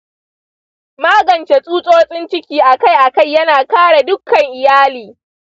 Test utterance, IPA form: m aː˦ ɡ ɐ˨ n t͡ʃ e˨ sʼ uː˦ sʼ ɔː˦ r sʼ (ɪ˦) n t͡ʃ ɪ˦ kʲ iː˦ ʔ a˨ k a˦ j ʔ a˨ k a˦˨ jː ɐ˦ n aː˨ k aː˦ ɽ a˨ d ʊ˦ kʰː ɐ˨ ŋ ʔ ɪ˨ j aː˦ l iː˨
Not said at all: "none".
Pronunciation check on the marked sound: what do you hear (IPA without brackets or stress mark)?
ɪ˦